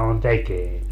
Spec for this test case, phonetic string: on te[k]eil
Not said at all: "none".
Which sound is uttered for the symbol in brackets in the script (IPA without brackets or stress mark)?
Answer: k